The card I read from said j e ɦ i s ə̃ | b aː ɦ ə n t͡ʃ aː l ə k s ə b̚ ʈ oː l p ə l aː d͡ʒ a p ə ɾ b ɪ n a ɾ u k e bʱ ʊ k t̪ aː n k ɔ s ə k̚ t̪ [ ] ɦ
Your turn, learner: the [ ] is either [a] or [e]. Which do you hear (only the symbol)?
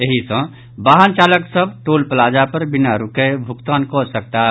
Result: a